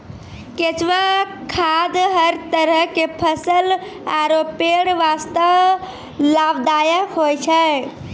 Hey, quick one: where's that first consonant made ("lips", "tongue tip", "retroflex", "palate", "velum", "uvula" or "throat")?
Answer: velum